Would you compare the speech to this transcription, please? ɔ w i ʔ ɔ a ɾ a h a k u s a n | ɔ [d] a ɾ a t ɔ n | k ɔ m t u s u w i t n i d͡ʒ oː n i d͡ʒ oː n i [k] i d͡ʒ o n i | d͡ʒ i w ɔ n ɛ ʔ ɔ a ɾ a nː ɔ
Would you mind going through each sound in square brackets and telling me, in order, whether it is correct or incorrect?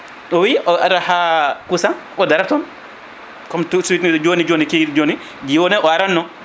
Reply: correct, correct

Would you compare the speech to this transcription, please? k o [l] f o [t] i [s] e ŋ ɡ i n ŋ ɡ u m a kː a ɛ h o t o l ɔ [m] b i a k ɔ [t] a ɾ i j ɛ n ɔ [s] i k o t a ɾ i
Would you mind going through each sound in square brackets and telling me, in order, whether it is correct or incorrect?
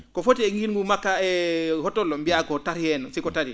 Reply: incorrect: none, correct, incorrect: none, correct, correct, correct

